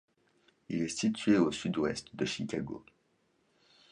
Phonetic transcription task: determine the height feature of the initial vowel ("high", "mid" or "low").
high